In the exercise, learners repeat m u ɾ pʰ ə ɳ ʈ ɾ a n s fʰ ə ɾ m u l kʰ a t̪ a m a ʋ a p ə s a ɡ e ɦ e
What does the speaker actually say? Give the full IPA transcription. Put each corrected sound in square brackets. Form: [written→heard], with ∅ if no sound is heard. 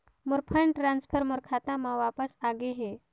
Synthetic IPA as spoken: m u ɾ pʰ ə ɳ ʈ ɾ a n s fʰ ə ɾ m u [l→ɾ] kʰ a t̪ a m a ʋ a p ə s a ɡ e ɦ e

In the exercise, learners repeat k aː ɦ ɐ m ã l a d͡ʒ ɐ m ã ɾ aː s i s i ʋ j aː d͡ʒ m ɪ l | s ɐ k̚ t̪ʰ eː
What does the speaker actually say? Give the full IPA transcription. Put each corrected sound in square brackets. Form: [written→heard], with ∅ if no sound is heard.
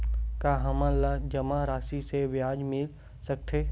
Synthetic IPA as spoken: k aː ɦ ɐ m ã l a d͡ʒ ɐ m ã ɾ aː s i s [i→e] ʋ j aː d͡ʒ m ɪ l | s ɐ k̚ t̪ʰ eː

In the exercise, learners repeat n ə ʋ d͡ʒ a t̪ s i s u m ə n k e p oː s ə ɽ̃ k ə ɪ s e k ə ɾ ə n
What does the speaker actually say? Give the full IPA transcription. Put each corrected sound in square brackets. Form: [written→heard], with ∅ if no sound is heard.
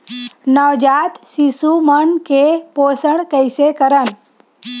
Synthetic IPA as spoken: n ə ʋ d͡ʒ a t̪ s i s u m ə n k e p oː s ə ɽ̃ k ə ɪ s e k ə ɾ ə n

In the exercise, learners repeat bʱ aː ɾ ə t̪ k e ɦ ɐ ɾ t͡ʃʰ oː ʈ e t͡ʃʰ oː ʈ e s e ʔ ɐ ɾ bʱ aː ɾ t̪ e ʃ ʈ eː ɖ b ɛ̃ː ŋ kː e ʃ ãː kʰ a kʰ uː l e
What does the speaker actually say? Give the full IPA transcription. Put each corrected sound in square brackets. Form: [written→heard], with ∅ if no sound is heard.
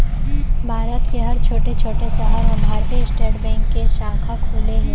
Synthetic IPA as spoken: bʱ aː ɾ ə t̪ k e ɦ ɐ ɾ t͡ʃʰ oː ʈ e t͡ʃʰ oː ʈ e s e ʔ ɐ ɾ bʱ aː ɾ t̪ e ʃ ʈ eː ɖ b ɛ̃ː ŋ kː e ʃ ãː kʰ a kʰ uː l e

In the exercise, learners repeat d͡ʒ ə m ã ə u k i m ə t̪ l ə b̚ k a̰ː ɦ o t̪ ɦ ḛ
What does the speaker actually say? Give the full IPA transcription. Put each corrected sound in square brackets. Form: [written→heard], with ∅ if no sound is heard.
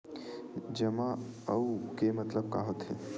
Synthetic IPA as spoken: d͡ʒ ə m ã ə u k [i→e] m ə t̪ l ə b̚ k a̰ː ɦ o t̪ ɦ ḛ

